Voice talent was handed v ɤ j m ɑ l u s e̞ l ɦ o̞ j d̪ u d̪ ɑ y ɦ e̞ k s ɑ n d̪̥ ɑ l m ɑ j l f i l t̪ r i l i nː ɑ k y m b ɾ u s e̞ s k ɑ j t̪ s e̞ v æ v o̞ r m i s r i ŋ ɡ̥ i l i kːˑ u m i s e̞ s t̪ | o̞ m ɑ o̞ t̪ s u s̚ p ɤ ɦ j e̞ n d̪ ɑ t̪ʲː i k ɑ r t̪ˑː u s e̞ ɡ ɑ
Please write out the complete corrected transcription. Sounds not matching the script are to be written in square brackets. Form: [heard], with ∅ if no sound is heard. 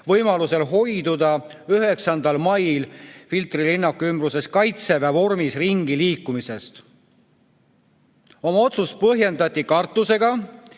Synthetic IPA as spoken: v ɤ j m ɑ l u s e̞ l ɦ o̞ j d̪ u d̪ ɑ y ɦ e̞ k s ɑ n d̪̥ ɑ l m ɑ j l f i l t̪ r i l i nː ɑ k y m b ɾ u s e̞ s k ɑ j t̪ s e̞ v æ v o̞ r m i s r i ŋ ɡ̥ i l [iː] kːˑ u m i s e̞ s t̪ | o̞ m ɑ o̞ t̪ s u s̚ p ɤ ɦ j e̞ n d̪ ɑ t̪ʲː i k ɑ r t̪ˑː u s e̞ ɡ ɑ